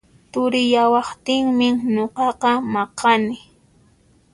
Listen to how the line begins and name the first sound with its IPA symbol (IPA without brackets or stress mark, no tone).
t̪